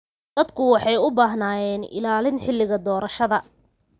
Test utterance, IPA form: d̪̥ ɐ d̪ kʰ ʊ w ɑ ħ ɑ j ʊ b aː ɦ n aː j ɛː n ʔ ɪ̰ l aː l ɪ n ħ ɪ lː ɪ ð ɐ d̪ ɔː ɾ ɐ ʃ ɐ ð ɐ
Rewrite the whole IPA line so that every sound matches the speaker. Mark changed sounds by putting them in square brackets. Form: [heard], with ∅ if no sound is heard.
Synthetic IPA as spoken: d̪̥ ɐ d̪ kʰ ʊ w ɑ ħ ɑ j ʊ b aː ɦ n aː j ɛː n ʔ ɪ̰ l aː l ɪ n ħ ɪ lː ɪ [ɣ] ɐ d̪ ɔː ɾ ɐ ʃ ɐ ð ɐ